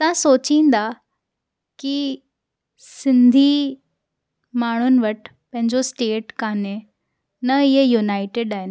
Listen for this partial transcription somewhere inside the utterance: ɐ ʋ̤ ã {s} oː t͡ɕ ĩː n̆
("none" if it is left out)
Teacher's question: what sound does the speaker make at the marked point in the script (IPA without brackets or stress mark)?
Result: s